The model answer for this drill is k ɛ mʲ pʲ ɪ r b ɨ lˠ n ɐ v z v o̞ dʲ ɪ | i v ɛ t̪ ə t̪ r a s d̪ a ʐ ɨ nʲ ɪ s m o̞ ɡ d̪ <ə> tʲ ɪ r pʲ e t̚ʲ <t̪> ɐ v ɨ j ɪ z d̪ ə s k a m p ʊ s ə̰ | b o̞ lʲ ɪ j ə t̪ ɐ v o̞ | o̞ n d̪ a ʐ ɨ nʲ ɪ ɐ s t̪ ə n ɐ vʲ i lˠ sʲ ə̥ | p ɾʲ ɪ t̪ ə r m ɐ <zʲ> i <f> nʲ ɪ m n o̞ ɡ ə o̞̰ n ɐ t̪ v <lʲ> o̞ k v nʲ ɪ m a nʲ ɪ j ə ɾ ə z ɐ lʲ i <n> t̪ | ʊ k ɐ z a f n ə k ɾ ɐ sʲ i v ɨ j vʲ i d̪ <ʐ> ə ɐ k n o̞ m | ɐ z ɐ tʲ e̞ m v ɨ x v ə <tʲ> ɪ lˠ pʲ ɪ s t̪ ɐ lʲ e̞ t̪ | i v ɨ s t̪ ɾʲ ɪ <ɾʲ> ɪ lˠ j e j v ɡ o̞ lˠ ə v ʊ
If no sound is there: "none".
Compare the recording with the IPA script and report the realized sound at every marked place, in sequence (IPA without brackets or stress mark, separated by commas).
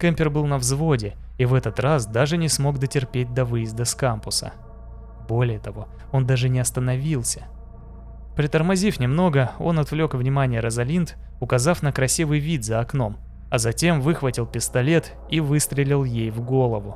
ə, d̪, zʲ, f, lʲ, n, z, tʲ, lʲ